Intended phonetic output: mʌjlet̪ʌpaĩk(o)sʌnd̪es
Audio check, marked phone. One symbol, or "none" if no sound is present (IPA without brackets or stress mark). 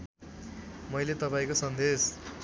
o